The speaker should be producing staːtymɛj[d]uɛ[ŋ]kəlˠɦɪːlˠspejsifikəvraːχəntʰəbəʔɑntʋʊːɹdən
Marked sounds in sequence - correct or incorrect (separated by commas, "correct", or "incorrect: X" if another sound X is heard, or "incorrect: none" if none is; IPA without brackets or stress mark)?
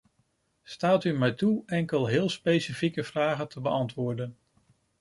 incorrect: t, correct